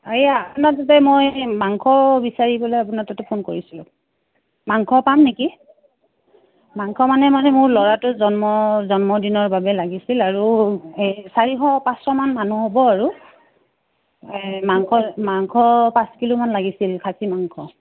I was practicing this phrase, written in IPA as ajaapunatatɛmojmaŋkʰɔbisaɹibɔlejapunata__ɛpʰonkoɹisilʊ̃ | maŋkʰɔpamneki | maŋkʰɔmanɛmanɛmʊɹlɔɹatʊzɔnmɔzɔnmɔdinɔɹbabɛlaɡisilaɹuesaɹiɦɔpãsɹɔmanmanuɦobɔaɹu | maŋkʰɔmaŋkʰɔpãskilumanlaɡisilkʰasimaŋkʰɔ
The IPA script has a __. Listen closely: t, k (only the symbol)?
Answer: t